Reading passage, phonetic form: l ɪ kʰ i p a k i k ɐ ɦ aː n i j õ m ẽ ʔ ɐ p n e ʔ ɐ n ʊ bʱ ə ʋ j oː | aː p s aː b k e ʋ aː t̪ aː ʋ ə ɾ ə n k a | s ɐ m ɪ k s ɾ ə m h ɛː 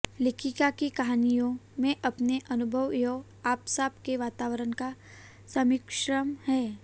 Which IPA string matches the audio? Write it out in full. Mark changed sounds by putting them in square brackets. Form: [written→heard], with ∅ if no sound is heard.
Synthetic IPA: l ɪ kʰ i [p→k] a k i k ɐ ɦ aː n i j õ m ẽ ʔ ɐ p n e ʔ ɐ n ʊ bʱ ə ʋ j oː | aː p s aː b k e ʋ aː t̪ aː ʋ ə ɾ ə n k a | s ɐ m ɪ k [s→ʃ] ɾ ə m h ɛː